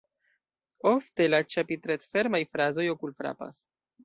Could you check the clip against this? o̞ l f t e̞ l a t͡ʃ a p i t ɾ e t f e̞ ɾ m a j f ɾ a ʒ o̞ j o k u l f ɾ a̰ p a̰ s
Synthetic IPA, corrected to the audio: o̞ f t e̞ l a t͡ʃ a p i t ɾ e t f e̞ ɾ m a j f ɾ a z o̞ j o k u l f ɾ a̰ p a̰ s